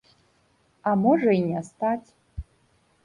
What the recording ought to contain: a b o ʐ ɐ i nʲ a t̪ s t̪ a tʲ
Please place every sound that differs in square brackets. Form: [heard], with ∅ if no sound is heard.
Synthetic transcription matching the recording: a [m] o ʐ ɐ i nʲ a [∅] s t̪ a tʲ